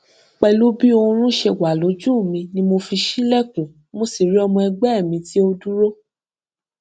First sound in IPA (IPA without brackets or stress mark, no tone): k͡p